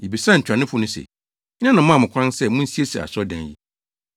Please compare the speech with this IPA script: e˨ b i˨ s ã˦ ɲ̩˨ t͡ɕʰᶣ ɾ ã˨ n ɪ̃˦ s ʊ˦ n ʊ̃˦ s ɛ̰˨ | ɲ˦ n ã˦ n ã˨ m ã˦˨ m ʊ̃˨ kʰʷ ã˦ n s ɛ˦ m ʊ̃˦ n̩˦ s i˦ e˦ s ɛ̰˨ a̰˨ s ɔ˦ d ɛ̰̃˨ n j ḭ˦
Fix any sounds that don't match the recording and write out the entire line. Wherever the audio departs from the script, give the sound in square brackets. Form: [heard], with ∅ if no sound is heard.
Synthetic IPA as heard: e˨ b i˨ s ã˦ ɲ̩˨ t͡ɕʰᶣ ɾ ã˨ n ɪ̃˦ [f] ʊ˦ n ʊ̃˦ s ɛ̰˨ | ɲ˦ n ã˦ n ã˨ m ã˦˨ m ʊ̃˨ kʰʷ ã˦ n s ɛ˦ m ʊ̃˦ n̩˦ s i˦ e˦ s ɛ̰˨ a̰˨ s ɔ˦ d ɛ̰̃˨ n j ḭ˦